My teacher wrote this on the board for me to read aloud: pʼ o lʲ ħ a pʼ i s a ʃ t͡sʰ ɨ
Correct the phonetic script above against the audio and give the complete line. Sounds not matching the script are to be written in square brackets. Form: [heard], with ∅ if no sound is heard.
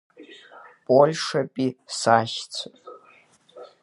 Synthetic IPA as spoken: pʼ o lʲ [ʂ] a pʼ i s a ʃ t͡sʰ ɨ